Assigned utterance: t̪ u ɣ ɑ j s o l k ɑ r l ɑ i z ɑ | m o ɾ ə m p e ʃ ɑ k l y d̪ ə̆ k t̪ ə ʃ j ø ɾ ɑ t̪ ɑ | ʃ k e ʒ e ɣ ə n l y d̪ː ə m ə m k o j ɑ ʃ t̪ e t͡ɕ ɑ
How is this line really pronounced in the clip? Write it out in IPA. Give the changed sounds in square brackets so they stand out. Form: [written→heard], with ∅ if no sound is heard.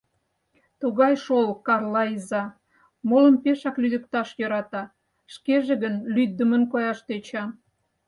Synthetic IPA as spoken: t̪ u ɣ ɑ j [s→ʃ] o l k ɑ r l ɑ i z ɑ | m o [ɾ→l] ə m p e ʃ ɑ k l y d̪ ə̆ k t̪ [ə→ɑ] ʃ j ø ɾ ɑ t̪ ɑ | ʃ k e ʒ e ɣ ə n l y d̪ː ə m ə [m→n] k o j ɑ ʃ t̪ e t͡ɕ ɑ

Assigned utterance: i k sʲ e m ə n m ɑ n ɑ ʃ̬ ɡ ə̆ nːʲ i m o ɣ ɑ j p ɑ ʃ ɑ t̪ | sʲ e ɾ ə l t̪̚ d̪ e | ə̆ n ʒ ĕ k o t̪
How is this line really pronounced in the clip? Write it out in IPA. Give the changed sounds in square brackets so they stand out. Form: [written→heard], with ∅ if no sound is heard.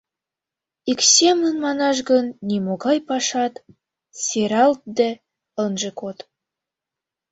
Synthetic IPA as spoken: i k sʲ e m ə n m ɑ n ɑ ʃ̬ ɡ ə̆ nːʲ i m o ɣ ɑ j p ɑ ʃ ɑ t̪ | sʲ e ɾ [ə→ɑ] l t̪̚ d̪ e | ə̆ n ʒ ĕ k o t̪

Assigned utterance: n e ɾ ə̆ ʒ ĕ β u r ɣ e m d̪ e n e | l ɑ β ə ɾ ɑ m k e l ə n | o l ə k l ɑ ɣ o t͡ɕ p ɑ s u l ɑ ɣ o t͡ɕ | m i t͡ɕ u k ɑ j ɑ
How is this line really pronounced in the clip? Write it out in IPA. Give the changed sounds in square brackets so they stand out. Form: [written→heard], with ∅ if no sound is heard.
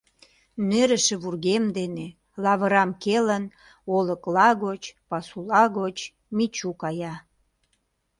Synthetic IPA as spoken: n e ɾ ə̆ [ʒ→ʃ] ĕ β u r ɣ e m d̪ e n e | l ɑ β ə ɾ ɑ m k e l ə n | o l ə k l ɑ ɣ o t͡ɕ p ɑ s u l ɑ ɣ o t͡ɕ | m i t͡ɕ u k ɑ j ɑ

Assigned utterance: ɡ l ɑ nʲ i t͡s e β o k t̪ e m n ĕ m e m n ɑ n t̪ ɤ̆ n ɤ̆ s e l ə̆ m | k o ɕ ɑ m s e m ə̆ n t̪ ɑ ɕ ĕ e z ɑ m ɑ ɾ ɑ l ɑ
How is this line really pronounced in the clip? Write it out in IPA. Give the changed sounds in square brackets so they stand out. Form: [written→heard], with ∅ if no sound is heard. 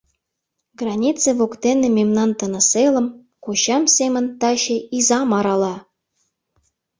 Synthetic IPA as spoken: ɡ [l→r] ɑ nʲ i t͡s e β o k t̪ e [m→∅] n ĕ m e m n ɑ n t̪ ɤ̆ n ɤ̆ s e l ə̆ m | k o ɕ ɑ m s e m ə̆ n t̪ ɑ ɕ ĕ [e→i] z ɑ m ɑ ɾ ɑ l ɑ

